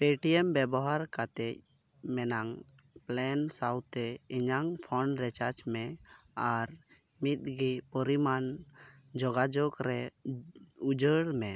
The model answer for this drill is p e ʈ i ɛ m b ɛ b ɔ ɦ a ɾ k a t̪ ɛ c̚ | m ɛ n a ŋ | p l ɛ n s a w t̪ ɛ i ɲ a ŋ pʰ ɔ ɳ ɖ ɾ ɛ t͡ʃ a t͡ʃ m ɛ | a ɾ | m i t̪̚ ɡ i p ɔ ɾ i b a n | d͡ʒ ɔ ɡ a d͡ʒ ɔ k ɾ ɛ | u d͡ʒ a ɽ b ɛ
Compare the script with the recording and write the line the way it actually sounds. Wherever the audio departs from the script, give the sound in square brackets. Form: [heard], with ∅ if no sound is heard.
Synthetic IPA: p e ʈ i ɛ m b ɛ b ɔ ɦ a ɾ k a t̪ ɛ c̚ | m ɛ n a ŋ | p l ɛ n s a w t̪ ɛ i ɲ a ŋ pʰ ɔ ɳ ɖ ɾ ɛ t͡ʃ a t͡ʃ m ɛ | a ɾ | m i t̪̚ ɡ i p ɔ ɾ i [m] a n | d͡ʒ ɔ ɡ a d͡ʒ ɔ k ɾ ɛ | u d͡ʒ [ə] ɽ [m] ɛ